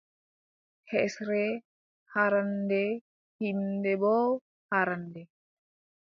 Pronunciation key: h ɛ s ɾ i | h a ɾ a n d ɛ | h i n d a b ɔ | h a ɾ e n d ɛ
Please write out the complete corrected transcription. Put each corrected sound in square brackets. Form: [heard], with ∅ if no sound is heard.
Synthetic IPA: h ɛ s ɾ [ɛ] | h a ɾ a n d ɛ | h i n d [ɛ] b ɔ | h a ɾ [a] n d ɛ